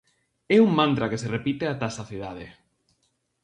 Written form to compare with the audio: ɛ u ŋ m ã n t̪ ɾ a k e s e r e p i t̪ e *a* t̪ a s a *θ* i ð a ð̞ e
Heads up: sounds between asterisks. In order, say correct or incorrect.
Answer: correct, correct

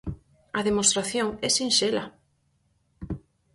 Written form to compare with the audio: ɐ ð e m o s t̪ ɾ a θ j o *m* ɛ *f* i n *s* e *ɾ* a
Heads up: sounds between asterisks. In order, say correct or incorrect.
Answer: incorrect, incorrect, incorrect, incorrect

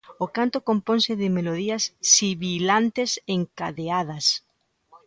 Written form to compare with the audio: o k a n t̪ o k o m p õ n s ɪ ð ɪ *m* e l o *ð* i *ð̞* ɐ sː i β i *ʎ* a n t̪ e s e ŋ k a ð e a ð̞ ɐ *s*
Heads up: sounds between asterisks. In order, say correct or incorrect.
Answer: correct, correct, incorrect, incorrect, correct

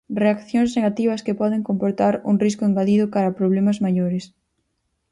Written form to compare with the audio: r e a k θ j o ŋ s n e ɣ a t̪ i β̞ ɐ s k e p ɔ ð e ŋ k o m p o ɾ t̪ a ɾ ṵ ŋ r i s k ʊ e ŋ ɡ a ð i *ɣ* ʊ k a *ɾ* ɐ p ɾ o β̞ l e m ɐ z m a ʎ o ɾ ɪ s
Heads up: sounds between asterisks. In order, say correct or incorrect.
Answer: incorrect, correct

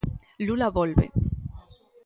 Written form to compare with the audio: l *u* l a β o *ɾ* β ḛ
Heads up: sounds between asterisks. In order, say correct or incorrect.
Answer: correct, incorrect

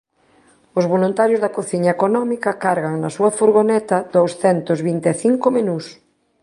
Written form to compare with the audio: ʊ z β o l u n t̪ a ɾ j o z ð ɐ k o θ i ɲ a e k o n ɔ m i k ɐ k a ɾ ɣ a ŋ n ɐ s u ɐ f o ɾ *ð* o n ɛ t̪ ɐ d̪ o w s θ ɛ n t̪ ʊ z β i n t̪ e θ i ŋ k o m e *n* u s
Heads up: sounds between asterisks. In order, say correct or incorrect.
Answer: incorrect, correct

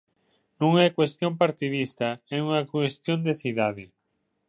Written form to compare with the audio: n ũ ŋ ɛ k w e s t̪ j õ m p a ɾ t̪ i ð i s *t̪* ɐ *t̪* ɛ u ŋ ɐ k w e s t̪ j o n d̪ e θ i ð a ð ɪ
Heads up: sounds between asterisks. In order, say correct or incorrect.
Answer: correct, incorrect

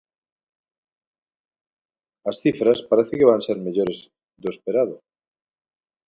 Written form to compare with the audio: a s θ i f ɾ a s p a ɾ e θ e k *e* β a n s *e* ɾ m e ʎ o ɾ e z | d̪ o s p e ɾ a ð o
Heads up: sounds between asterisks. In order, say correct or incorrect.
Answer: correct, correct

